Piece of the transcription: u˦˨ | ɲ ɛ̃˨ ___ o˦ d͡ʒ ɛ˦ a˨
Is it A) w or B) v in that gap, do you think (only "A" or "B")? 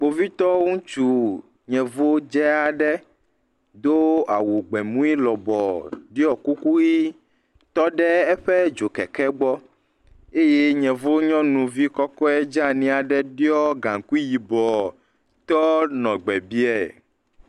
B